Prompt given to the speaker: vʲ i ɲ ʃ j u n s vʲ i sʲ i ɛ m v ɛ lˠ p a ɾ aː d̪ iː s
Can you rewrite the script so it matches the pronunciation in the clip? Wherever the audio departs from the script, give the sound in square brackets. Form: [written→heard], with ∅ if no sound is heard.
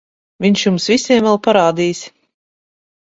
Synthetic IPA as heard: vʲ i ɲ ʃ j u [n→m] s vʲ i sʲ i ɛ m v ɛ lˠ p a ɾ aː d̪ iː s